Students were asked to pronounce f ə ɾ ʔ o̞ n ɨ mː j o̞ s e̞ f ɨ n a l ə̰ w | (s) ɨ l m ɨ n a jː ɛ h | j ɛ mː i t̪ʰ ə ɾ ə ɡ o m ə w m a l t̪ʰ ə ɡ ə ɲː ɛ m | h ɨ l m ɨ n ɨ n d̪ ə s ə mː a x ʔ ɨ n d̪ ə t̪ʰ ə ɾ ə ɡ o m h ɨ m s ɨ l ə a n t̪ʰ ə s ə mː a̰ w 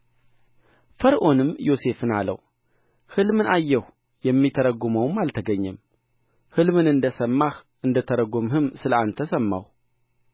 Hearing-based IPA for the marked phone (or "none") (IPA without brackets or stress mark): h